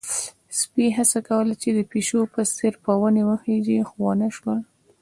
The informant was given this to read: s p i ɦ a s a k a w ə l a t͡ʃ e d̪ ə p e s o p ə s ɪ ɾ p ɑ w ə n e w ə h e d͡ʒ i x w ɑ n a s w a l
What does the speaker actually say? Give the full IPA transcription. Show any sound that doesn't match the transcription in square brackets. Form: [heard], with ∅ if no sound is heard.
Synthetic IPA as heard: s p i ɦ a s a k a w ə l a t͡ʃ e d̪ ə p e [ʃ] o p ə s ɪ ɾ p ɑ w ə n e w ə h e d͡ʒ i x w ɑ n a [ʃ] w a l